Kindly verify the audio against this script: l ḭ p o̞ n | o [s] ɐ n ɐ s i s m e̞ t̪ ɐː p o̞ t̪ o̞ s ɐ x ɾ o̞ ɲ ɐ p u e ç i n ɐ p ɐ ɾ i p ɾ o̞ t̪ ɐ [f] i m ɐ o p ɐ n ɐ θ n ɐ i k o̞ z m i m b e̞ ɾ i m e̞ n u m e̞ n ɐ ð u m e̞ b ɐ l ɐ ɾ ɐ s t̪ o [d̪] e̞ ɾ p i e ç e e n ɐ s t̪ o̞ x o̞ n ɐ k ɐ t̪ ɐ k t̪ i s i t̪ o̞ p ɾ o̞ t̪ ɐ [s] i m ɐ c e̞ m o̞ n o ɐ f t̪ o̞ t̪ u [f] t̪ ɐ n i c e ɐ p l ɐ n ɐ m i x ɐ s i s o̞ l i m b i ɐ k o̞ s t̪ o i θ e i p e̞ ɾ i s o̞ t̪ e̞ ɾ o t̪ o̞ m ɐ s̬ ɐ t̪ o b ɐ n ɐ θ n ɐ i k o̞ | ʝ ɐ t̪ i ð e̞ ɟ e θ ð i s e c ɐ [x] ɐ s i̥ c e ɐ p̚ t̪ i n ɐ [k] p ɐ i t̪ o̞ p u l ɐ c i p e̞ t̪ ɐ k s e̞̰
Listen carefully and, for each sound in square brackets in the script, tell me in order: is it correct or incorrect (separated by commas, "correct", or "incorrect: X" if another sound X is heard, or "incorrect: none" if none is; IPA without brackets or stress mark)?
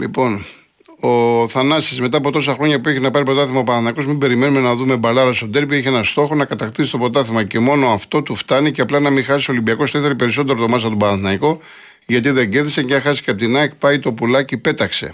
incorrect: θ, incorrect: θ, correct, incorrect: θ, correct, correct, correct